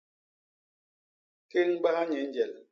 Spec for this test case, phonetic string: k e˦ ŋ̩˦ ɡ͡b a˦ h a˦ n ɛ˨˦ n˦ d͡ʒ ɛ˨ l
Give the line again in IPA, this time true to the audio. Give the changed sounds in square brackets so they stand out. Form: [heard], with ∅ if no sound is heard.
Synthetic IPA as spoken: k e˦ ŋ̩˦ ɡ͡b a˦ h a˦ [ɲ] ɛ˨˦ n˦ d͡ʒ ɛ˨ l

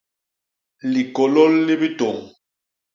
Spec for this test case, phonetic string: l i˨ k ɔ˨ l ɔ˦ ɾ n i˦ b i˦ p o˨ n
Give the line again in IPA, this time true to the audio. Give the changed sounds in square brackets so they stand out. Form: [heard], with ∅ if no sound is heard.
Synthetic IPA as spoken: l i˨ k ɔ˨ l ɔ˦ [l] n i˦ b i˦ [t] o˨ [ŋ]

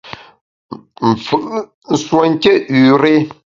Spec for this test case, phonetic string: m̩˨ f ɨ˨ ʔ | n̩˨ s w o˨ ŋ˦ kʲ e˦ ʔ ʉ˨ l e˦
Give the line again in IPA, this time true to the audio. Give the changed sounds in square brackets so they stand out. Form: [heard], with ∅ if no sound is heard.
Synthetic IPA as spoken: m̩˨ f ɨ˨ ʔ | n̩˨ s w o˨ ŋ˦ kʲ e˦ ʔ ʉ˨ [ɾ] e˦

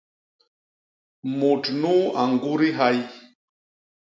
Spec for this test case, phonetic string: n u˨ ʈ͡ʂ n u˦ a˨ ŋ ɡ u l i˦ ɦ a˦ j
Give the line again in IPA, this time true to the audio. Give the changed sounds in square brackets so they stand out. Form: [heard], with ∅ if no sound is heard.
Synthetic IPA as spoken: [m] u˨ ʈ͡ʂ n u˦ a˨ ŋ ɡ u [ɾ] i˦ ɦ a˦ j

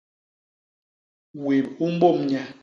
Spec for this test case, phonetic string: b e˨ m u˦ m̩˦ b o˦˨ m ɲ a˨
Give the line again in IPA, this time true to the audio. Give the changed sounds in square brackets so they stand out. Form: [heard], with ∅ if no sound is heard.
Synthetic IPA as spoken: [w] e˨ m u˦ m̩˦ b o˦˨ m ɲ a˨

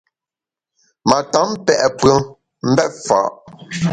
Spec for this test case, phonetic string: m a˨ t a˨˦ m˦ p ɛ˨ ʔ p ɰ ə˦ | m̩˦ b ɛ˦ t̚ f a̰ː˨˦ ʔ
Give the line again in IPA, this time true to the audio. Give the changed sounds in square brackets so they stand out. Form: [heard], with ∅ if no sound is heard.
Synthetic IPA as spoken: m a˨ t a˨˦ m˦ p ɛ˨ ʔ p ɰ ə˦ | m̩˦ b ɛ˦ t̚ f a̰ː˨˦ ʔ

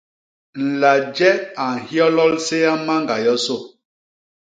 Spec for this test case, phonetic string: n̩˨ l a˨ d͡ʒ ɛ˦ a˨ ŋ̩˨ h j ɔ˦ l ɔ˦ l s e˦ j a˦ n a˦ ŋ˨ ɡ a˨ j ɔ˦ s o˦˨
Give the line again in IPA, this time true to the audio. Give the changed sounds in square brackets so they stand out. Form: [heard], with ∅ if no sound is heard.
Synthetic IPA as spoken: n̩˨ l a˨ d͡ʒ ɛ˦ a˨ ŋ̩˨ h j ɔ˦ l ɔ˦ l s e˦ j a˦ [m] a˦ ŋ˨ ɡ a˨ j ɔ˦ s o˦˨

